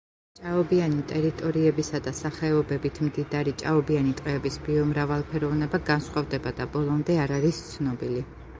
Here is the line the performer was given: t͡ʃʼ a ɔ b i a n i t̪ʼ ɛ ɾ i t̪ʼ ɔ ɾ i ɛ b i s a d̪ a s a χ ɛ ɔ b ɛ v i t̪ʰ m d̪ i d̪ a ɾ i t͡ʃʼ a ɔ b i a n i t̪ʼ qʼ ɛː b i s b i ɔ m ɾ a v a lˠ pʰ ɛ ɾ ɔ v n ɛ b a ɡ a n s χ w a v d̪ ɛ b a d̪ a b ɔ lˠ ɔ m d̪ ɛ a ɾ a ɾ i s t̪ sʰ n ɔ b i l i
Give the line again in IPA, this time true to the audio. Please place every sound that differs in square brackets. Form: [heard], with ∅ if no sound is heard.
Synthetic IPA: t͡ʃʼ a ɔ b i a n i t̪ʼ ɛ ɾ i t̪ʼ ɔ ɾ i ɛ b i s a d̪ a s a χ ɛ ɔ b ɛ [b] i t̪ʰ m d̪ i d̪ a ɾ i t͡ʃʼ a ɔ b i a n i t̪ʼ qʼ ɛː b i s b i ɔ m ɾ a v a lˠ pʰ ɛ ɾ ɔ v n ɛ b a ɡ a n s χ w a v d̪ ɛ b a d̪ a b ɔ lˠ ɔ m d̪ ɛ a ɾ a ɾ i s t̪ sʰ n ɔ b i l i

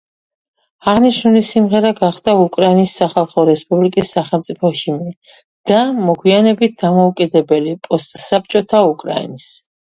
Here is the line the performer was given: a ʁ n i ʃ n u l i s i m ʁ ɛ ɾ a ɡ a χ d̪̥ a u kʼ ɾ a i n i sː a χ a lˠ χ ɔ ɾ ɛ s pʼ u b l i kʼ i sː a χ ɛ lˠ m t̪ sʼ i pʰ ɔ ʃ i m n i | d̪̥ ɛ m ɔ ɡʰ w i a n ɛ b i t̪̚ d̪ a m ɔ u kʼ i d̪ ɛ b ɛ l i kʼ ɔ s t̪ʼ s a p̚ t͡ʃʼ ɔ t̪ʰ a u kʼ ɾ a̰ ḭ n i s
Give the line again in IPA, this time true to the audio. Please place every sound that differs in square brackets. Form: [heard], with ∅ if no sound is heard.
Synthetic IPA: a ʁ n i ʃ n u l i s i m ʁ ɛ ɾ a ɡ a χ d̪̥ a u kʼ ɾ a i n i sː a χ a lˠ χ ɔ ɾ ɛ s pʼ u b l i kʼ i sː a χ ɛ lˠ m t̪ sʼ i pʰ ɔ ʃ i m n i | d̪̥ [a] m ɔ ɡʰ w i a n ɛ b i t̪̚ d̪ a m ɔ u kʼ i d̪ ɛ b ɛ l i [pʼ] ɔ s t̪ʼ s a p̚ t͡ʃʼ ɔ t̪ʰ a u kʼ ɾ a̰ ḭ n i s

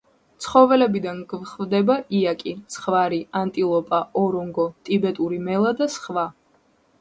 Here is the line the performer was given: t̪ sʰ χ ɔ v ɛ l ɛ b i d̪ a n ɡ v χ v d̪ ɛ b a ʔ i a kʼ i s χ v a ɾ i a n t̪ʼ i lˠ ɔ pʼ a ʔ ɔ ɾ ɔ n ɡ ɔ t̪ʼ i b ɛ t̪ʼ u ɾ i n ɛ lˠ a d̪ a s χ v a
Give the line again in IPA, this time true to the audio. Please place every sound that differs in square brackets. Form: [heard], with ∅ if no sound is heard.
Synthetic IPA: t̪ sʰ χ ɔ v ɛ l ɛ b i d̪ a n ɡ v χ v d̪ ɛ b a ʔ i a kʼ i s χ v a ɾ i a n t̪ʼ i lˠ ɔ pʼ a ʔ ɔ ɾ ɔ [ŋ] ɡ ɔ t̪ʼ i b ɛ t̪ʼ u ɾ i [m] ɛ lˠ a d̪ a s χ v a

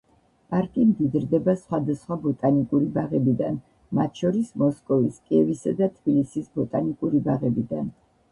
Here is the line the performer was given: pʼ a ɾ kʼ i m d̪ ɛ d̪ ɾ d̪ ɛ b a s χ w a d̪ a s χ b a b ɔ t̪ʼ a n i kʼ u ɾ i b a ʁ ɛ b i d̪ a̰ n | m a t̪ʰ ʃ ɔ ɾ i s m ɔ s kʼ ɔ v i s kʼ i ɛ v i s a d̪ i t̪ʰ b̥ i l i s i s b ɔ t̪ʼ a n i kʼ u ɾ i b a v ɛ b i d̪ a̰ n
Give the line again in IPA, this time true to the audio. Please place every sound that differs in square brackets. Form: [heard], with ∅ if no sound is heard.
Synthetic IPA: pʼ a ɾ kʼ i m d̪ [i] d̪ ɾ d̪ ɛ b a s χ w a d̪ a s χ [w] a b ɔ t̪ʼ a n i kʼ u ɾ i b a ʁ ɛ b i d̪ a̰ n | m a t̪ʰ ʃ ɔ ɾ i s m ɔ s kʼ ɔ v i s kʼ i ɛ v i s a d̪ [a] t̪ʰ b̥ i l i s i s b ɔ t̪ʼ a n i kʼ u ɾ i b a [ʁ] ɛ b i d̪ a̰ n

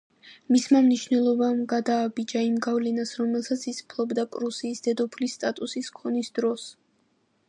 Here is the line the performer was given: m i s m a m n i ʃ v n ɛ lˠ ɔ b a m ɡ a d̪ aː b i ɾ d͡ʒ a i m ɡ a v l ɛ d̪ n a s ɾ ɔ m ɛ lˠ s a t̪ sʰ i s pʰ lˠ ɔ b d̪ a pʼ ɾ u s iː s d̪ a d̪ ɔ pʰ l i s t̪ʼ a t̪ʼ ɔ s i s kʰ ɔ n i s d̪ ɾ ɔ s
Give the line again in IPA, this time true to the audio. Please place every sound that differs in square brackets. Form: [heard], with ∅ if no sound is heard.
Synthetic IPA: m i s m a m n i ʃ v n ɛ lˠ ɔ b a m ɡ a d̪ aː b i [∅] d͡ʒ a i m ɡ a v l ɛ [∅] n a s ɾ ɔ m ɛ lˠ s a t̪ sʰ i s pʰ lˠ ɔ b d̪ a pʼ ɾ u s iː s d̪ [ɛ] d̪ ɔ pʰ l i s t̪ʼ a t̪ʼ [u] s i s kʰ ɔ n i s d̪ ɾ ɔ s

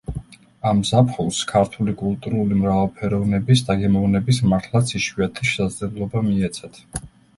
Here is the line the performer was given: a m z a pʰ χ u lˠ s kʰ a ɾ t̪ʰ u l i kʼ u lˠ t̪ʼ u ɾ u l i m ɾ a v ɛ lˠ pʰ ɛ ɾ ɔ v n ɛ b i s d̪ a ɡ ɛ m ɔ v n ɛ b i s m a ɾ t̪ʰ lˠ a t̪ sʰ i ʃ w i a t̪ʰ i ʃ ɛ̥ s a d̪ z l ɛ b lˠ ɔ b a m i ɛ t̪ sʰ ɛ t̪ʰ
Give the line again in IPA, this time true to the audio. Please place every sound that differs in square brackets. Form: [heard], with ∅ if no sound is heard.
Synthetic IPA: a m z a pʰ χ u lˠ s kʰ a ɾ t̪ʰ u l i kʼ u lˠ t̪ʼ u ɾ u l i m ɾ a v [a] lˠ pʰ ɛ ɾ ɔ v n ɛ b i s d̪ a ɡ ɛ m ɔ v n ɛ b i s m a ɾ t̪ʰ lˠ a t̪ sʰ i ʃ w i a t̪ʰ i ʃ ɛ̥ s a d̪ z l ɛ b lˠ ɔ b a m i ɛ t̪ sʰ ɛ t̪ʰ

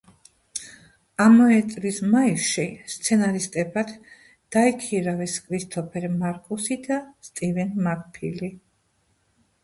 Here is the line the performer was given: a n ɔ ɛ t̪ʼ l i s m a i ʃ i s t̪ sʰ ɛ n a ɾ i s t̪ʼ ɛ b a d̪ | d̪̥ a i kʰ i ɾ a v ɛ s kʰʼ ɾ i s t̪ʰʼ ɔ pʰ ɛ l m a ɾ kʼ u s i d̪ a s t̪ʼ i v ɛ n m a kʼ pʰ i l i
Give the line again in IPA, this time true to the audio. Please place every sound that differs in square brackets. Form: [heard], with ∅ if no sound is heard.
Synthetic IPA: a [m] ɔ ɛ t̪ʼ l i s m a i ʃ i s t̪ sʰ ɛ n a ɾ i s t̪ʼ ɛ b a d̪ | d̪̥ a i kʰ i ɾ a v ɛ s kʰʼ ɾ i s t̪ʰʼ ɔ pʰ ɛ [ɾ] m a ɾ kʼ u s i d̪ a s t̪ʼ i v ɛ n m a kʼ pʰ i l i

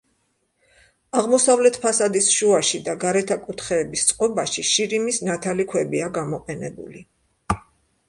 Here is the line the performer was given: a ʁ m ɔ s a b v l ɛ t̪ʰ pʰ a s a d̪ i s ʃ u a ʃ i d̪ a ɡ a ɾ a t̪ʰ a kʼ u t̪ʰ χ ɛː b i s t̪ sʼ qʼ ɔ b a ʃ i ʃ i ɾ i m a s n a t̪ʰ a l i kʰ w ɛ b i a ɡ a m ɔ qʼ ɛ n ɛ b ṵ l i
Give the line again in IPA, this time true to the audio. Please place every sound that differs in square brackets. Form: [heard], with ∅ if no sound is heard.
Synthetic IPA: a ʁ m ɔ s a [∅] v l ɛ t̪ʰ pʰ a s a d̪ i s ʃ u a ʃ i d̪ a ɡ a ɾ [ɛ] t̪ʰ a kʼ u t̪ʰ χ ɛː b i s t̪ sʼ qʼ ɔ b a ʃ i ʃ i ɾ i m [i] s n a t̪ʰ a l i kʰ w ɛ b i a ɡ a m ɔ qʼ ɛ n ɛ b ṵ l i

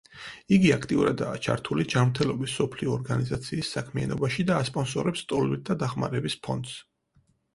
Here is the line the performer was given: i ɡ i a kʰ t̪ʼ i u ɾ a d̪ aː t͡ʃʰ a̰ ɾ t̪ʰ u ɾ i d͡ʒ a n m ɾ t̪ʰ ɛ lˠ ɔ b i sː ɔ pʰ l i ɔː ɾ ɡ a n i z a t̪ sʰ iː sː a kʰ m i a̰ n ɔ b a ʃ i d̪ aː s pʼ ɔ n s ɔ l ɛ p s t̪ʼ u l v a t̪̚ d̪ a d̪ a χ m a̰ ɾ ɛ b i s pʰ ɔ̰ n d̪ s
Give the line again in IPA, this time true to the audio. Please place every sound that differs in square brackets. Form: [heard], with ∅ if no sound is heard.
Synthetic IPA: i ɡ i a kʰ t̪ʼ i u ɾ a d̪ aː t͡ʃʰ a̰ ɾ t̪ʰ u [l] i d͡ʒ a n m ɾ t̪ʰ ɛ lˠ ɔ b i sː ɔ pʰ l i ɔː ɾ ɡ a n i z a t̪ sʰ iː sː a kʰ m i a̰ n ɔ b a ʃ i d̪ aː s pʼ ɔ n s ɔ [ɾ] ɛ p s t̪ʼ [ɔ] l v [i] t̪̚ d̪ a d̪ a χ m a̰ ɾ ɛ b i s pʰ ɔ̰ n d̪ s

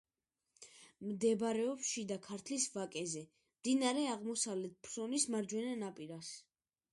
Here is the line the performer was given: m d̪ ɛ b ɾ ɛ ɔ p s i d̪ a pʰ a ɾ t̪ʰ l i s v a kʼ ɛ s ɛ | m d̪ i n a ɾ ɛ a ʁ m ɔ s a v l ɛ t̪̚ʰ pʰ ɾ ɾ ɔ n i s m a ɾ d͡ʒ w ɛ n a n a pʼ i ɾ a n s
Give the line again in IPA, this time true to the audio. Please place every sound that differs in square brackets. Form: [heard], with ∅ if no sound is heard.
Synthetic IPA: m d̪ ɛ b ɾ ɛ ɔ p [ʃ] i d̪ a [kʰ] a ɾ t̪ʰ l i s v a kʼ ɛ [z] ɛ | m d̪ i n a ɾ ɛ a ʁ m ɔ s a v l ɛ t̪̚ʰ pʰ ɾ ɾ ɔ n i s m a ɾ d͡ʒ w ɛ n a n a pʼ i ɾ a [∅] s

